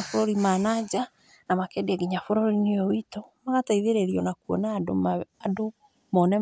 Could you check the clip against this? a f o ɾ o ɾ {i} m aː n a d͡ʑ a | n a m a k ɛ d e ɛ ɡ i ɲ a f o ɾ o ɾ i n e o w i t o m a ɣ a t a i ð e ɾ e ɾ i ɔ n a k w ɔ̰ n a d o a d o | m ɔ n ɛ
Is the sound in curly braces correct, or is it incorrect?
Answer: correct